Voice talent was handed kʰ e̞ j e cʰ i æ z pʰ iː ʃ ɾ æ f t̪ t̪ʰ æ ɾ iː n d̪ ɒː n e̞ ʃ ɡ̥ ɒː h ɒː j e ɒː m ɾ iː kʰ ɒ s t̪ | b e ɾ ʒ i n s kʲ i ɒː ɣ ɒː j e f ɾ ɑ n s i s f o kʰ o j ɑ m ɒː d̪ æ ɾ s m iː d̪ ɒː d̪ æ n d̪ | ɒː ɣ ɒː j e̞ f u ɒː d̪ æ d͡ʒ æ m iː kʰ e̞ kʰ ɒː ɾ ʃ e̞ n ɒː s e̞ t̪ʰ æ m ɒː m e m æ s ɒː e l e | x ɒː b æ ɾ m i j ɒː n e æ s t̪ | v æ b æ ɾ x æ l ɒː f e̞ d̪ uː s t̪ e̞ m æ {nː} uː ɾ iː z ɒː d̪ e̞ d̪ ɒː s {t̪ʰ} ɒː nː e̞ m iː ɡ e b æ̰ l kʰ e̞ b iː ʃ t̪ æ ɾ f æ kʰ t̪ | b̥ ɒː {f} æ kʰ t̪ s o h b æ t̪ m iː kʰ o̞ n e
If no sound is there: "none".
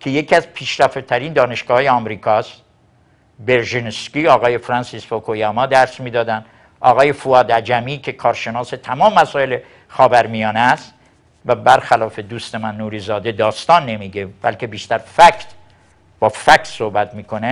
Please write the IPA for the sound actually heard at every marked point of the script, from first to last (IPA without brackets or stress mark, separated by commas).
nː, t̪, f